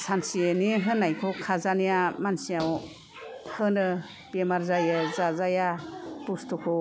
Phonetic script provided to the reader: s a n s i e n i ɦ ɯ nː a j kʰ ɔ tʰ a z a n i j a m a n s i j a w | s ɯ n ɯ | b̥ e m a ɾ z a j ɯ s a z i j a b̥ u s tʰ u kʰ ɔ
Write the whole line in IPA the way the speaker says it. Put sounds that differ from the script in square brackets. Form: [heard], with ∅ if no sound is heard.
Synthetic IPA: s a n s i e n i ɦ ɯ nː a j kʰ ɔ [kʰ] a z a n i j a m a n s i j a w | [h] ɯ n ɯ | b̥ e m a ɾ z a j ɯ [z] a z [a] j a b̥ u s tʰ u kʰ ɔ